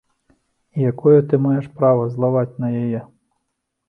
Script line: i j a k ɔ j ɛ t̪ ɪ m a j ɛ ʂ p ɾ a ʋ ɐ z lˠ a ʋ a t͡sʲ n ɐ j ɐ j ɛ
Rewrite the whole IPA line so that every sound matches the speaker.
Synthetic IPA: i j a k ɔ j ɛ t̪ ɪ m a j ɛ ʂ p ɾ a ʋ ɐ z lˠ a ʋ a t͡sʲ n ɐ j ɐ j ɛ